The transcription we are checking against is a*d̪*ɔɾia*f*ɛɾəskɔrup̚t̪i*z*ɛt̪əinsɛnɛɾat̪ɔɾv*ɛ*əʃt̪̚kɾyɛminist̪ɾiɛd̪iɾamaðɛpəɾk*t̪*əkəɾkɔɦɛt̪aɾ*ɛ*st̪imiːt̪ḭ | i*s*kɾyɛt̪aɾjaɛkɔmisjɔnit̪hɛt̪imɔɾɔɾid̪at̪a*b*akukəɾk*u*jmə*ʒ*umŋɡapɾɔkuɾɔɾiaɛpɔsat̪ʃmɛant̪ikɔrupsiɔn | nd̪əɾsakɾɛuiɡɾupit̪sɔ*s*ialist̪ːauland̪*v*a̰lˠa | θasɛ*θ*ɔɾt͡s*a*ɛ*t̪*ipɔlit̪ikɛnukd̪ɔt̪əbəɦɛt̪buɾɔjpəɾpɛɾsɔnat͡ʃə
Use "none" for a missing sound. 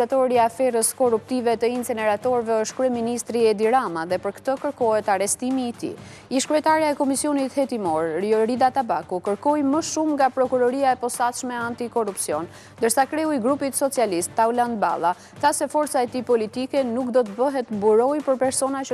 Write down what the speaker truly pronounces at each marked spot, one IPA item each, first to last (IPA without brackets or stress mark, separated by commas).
t̪, f, v, ɛ, t̪, ɛ, ʃ, b, ɔ, ʃ, t͡s, b, f, a, t̪